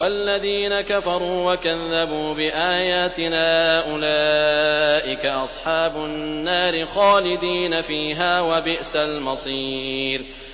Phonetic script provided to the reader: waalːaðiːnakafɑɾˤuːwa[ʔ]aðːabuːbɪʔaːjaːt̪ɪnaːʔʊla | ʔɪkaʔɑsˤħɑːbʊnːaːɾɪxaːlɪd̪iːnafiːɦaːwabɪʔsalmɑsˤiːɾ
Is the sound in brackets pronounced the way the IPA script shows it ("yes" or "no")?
no